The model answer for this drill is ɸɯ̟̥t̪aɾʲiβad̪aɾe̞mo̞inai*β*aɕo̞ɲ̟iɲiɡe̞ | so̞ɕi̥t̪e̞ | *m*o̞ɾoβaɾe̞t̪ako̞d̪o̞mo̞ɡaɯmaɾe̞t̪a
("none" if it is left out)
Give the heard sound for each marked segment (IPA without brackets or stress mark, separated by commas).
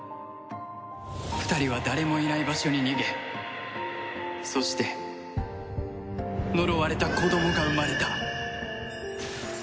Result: b, n